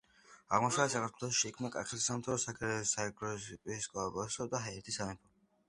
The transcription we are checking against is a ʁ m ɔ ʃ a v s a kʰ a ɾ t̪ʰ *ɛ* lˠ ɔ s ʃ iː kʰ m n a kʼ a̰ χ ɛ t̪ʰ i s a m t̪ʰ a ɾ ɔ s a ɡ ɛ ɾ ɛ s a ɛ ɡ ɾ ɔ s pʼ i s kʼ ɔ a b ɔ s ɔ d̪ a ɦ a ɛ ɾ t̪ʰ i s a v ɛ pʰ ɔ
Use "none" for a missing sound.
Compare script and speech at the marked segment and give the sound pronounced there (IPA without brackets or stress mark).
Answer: ɛ